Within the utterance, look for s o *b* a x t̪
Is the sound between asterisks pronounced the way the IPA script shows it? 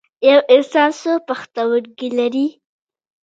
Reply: no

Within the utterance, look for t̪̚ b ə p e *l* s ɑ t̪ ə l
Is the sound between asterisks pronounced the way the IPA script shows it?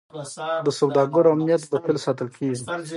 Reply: yes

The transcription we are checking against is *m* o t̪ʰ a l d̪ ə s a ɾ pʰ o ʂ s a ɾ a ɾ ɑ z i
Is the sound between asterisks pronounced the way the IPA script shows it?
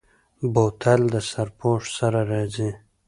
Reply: no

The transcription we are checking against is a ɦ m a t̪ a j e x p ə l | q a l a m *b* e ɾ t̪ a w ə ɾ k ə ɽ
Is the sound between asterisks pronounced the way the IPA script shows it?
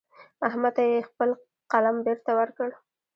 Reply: yes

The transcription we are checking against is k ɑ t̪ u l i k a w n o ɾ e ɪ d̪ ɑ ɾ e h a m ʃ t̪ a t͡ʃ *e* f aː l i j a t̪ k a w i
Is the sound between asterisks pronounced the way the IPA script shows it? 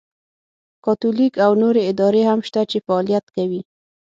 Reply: yes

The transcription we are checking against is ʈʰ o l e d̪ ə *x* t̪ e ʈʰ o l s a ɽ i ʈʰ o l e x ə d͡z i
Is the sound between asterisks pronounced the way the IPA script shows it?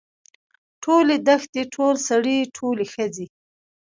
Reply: yes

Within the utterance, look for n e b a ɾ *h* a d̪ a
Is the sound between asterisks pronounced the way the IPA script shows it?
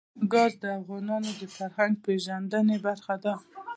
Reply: no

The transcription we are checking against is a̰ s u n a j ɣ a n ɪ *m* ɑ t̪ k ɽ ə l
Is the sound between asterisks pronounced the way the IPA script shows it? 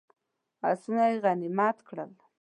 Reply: yes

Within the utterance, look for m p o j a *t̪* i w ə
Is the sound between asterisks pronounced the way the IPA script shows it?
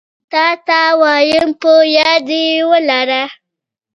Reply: no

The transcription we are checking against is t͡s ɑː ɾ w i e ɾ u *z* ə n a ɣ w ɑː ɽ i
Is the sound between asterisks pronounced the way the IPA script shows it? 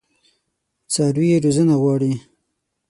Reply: yes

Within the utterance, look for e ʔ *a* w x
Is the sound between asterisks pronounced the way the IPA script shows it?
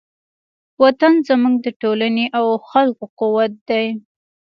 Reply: yes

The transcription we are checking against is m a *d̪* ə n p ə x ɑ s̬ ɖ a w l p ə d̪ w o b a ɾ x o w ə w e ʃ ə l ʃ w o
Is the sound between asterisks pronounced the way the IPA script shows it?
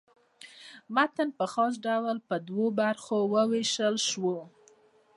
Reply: no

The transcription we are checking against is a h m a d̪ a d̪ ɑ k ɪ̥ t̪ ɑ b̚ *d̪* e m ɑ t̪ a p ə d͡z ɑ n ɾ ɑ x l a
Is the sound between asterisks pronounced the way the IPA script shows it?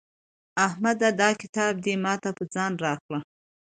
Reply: yes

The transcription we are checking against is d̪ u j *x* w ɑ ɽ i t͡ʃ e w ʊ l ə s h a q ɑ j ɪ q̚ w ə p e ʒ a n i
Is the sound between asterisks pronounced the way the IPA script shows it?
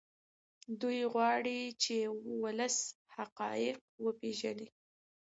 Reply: no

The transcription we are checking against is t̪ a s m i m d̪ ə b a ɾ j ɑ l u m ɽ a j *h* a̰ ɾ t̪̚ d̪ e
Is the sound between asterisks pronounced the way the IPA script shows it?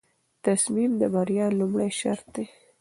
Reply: no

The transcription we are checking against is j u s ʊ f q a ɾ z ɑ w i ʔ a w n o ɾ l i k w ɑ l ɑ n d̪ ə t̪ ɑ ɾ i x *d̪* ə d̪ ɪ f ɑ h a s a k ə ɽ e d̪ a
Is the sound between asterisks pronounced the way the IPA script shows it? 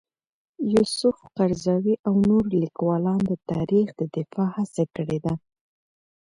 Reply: yes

